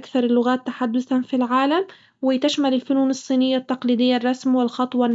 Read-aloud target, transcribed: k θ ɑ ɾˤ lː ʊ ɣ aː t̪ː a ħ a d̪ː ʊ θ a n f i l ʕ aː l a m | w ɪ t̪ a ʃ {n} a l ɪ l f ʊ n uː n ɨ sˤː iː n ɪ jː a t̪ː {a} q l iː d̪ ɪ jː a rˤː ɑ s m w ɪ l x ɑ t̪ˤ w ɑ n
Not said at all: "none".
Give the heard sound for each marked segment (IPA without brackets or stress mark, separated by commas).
m, ɑ